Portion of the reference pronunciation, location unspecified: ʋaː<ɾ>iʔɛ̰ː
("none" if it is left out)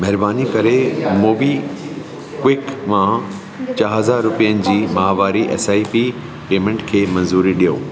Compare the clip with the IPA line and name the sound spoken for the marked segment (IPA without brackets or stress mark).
ɾ